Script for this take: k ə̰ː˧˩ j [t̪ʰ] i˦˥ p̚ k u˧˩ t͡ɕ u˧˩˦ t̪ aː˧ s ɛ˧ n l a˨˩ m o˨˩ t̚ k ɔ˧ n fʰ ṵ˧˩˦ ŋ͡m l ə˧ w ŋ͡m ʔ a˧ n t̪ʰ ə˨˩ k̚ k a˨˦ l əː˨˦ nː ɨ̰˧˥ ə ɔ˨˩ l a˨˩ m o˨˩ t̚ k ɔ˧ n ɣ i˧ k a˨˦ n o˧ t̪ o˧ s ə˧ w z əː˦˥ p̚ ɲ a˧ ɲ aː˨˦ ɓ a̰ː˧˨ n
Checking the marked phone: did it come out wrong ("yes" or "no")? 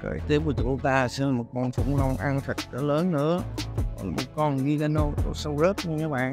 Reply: yes